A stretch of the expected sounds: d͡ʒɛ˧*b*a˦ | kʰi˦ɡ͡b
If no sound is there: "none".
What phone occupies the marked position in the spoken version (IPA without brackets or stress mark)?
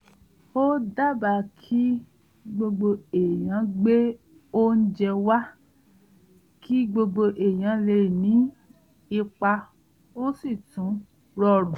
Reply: w